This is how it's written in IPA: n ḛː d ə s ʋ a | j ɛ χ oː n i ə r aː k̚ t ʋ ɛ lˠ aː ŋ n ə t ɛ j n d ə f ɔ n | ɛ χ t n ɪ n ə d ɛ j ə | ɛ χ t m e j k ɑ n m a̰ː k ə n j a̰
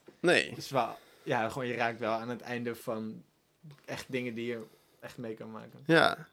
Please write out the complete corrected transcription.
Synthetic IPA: n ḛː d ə s ʋ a | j a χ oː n j ə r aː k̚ t ʋ ɛ lˠ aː n ə t ɛ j n d ə f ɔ n | ɛ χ t d ɪ ŋ ə d i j ə | ɛ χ t m e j k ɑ n m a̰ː k ə n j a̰